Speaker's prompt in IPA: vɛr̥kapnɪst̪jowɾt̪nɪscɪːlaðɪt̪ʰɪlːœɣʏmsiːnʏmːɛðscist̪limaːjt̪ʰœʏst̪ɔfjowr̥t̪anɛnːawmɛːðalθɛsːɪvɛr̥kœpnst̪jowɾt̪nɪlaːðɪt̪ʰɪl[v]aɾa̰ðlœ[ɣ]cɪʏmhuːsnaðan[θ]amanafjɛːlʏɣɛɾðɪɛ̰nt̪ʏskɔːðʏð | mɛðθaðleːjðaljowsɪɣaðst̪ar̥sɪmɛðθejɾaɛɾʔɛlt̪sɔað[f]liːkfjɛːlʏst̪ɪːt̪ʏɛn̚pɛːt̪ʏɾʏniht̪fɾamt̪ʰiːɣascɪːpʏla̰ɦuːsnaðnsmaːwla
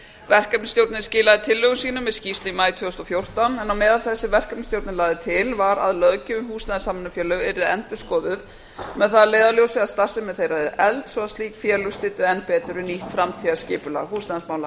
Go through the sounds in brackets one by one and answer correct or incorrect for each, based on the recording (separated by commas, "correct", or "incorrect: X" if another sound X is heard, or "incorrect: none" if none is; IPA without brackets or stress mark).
correct, incorrect: ð, incorrect: s, incorrect: s